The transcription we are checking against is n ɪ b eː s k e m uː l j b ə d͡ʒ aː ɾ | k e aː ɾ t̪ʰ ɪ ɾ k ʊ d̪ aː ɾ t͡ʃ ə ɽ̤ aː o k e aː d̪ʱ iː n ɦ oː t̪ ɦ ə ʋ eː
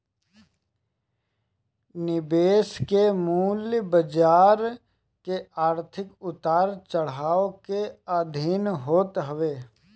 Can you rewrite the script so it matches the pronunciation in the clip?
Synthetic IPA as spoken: n ɪ b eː s k e m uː l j b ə d͡ʒ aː ɾ | k e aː ɾ t̪ʰ ɪ k ʊ t̪ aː ɾ t͡ʃ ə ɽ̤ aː o k e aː d̪ʱ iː n ɦ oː t̪ ɦ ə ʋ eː